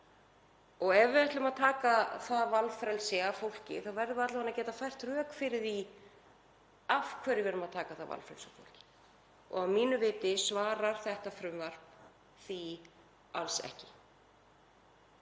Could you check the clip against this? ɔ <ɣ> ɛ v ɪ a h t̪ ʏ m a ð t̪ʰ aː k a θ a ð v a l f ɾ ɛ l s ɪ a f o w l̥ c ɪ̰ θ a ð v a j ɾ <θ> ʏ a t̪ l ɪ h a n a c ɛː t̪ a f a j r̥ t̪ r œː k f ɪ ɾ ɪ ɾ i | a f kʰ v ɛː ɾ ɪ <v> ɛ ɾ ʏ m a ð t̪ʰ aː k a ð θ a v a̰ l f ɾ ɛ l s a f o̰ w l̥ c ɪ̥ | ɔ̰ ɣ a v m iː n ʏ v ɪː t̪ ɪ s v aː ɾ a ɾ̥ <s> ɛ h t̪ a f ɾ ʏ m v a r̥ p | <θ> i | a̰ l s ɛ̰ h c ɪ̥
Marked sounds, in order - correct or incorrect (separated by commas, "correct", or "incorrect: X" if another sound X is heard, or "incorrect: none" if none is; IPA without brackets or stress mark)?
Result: correct, incorrect: ð, correct, incorrect: θ, correct